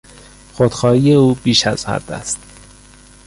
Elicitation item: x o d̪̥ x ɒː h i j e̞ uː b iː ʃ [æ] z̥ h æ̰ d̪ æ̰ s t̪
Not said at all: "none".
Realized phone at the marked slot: æ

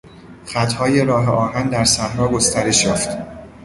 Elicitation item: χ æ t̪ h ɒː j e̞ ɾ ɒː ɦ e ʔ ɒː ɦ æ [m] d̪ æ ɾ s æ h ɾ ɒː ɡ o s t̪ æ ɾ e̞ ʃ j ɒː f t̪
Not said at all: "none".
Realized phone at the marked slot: n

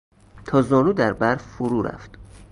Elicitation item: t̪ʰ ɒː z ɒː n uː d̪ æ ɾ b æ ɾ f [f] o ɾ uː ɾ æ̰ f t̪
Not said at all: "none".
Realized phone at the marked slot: f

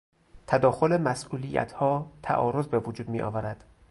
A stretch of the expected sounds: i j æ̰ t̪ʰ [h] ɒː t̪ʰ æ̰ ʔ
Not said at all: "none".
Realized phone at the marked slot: h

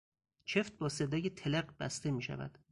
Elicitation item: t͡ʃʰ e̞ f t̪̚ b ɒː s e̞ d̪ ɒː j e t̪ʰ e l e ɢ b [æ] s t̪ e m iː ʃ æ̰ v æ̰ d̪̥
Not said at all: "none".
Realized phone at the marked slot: æ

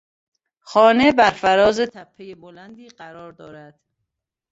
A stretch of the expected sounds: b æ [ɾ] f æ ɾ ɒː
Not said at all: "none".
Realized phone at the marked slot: ɾ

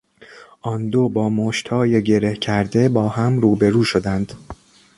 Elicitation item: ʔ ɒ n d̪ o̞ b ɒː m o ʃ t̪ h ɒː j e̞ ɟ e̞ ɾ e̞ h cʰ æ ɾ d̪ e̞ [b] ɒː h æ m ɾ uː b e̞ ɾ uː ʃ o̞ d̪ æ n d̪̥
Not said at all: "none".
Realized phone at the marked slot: b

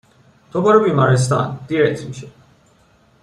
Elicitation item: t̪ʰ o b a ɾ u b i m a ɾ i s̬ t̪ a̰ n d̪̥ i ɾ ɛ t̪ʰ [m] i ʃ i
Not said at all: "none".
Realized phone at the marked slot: m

